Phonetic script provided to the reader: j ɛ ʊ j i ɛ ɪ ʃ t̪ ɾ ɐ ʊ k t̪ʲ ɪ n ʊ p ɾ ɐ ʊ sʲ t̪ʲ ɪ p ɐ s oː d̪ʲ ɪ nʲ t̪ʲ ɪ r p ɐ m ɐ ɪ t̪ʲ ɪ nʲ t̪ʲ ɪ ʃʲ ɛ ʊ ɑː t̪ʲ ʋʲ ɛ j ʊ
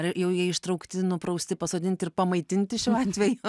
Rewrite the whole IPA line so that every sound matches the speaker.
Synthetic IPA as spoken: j ɛ ʊ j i ɛ ɪ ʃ t̪ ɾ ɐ ʊ k t̪ʲ ɪ n ʊ p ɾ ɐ ʊ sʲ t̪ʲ ɪ p ɐ s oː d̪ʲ ɪ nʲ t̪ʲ ɪ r p ɐ m ɐ ɪ t̪ʲ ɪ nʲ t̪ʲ ɪ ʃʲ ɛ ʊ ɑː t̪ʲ ʋʲ ɛ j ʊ